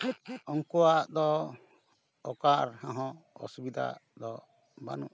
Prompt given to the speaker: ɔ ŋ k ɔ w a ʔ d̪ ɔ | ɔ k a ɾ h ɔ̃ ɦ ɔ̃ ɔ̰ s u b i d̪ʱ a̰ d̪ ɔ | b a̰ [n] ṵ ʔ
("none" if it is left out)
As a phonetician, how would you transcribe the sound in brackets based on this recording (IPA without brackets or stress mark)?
n